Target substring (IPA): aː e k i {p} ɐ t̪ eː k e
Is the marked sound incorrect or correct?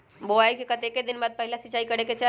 incorrect: k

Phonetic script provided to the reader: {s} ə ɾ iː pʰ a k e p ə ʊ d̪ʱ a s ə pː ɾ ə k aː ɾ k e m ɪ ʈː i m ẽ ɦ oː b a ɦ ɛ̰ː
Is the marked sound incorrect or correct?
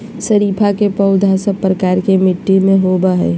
correct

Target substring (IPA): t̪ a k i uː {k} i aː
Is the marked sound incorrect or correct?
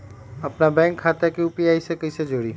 incorrect: p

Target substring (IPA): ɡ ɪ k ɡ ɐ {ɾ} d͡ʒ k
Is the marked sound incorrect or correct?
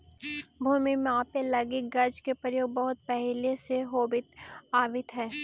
correct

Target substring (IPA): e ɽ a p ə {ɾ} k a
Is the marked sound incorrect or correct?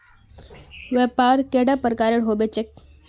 correct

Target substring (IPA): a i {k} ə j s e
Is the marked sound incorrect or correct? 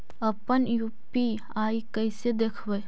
correct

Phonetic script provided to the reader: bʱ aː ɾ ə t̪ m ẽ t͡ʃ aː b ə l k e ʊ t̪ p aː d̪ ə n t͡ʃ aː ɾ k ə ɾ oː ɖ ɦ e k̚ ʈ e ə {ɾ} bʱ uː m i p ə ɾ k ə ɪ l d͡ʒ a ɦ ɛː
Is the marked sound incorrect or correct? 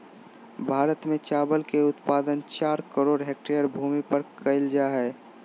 correct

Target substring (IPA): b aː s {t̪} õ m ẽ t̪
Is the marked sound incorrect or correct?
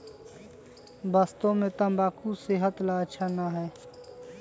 correct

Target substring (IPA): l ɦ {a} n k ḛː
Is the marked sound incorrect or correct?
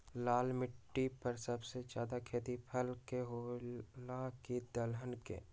incorrect: ə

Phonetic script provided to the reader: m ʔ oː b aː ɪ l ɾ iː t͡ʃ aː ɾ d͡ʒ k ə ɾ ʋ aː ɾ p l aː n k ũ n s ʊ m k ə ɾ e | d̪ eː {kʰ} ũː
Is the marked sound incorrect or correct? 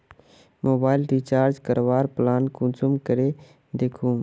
correct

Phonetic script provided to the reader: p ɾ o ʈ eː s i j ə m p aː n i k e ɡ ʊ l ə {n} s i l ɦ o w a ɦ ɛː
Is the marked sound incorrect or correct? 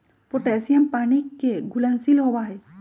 correct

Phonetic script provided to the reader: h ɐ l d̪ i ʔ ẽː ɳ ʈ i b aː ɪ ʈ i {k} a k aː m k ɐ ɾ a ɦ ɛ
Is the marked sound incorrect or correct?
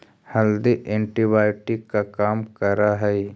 correct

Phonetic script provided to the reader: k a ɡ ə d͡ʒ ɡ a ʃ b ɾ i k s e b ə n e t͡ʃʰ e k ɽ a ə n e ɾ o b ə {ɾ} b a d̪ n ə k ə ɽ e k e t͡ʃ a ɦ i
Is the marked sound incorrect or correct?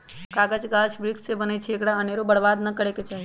incorrect: ɽ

